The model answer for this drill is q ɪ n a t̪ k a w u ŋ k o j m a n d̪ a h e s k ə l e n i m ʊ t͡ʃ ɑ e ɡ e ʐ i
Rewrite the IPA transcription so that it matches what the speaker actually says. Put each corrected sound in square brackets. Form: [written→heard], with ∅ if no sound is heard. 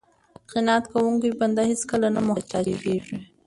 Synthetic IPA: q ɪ n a t̪ k a w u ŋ k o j [m→b] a n d̪ a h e s k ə l [e→a] n [i→a] m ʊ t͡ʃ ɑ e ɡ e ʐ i